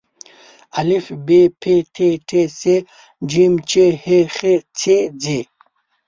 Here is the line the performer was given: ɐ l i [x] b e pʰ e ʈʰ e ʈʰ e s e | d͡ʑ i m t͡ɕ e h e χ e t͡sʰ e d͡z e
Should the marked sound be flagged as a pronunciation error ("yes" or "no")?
yes